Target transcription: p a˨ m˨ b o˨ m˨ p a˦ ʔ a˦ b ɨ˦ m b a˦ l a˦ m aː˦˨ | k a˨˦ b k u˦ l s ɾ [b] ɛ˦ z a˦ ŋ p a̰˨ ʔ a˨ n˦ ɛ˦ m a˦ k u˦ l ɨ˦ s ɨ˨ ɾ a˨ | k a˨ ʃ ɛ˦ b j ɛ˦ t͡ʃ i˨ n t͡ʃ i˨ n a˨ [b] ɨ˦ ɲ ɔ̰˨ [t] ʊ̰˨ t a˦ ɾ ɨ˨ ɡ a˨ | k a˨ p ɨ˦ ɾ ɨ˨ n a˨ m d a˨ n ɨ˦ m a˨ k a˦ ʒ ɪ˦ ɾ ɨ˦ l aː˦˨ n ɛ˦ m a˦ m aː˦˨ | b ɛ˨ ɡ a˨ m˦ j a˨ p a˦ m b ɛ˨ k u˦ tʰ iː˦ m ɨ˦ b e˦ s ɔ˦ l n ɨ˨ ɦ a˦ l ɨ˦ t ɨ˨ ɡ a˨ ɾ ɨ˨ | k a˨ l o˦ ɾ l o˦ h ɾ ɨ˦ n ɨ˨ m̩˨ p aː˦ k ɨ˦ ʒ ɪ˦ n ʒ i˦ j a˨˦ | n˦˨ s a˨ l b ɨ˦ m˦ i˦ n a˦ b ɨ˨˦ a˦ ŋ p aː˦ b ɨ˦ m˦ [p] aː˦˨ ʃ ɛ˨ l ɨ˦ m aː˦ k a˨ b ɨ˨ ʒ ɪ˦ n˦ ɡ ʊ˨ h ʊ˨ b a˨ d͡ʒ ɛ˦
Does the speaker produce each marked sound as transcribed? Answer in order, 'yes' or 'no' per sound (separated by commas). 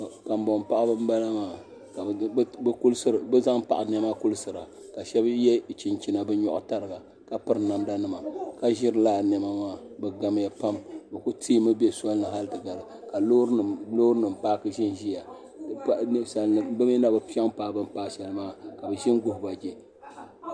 yes, yes, no, yes